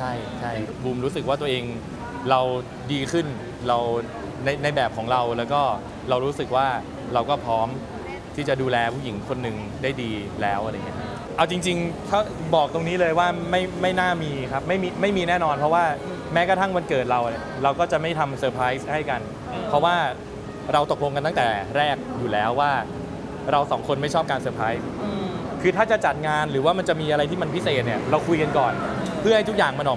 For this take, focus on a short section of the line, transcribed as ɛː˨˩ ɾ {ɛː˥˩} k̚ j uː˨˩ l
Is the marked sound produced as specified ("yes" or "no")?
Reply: yes